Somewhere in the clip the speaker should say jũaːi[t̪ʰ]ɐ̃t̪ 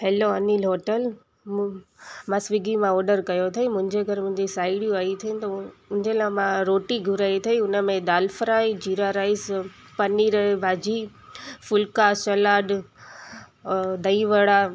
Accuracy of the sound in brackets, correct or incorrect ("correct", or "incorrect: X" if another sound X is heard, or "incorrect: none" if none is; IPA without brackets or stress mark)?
correct